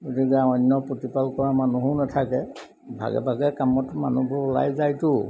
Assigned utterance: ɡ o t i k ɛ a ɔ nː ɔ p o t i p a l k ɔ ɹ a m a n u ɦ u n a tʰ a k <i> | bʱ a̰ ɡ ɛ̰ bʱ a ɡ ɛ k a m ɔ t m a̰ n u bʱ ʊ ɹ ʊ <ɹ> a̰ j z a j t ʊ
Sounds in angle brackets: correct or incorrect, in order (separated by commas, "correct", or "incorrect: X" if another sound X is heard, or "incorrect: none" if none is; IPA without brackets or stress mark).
incorrect: ɛ, incorrect: l